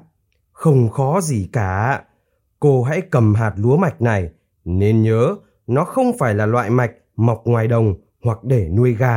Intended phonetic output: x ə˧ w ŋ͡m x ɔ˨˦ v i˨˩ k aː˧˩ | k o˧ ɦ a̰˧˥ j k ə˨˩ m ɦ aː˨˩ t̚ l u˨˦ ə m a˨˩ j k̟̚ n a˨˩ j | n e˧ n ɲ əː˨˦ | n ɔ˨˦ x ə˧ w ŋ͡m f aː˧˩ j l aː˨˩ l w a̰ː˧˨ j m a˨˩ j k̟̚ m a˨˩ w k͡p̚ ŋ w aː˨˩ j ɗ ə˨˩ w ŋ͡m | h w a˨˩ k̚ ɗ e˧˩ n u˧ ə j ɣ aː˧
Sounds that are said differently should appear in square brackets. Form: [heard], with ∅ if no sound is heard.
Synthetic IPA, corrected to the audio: x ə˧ w ŋ͡m x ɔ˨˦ [z] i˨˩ k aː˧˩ | k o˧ ɦ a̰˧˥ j k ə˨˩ m ɦ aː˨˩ t̚ l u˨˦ ə m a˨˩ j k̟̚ n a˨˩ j | n e˧ n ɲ əː˨˦ | n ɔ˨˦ x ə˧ w ŋ͡m f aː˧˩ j l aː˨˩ l w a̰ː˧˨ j m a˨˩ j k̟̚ m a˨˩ w k͡p̚ ŋ w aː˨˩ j ɗ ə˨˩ w ŋ͡m | h w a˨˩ k̚ ɗ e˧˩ n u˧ ə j ɣ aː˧